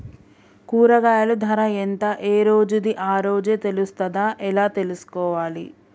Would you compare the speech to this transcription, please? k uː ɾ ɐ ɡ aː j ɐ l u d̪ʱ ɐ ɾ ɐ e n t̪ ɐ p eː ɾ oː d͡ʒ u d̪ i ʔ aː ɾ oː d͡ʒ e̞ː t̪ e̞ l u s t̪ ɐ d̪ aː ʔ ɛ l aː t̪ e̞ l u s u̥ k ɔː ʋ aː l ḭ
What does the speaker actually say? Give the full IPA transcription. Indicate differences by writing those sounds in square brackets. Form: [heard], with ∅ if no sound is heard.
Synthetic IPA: k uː ɾ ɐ ɡ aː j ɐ l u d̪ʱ ɐ ɾ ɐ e n t̪ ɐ [ʔ] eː ɾ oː d͡ʒ u d̪ i ʔ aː ɾ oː d͡ʒ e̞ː t̪ e̞ l u s t̪ ɐ d̪ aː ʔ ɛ l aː t̪ e̞ l u s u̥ k ɔː ʋ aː l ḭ